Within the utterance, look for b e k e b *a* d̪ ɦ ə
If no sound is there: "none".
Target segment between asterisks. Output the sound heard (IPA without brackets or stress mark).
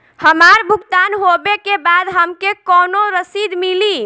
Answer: a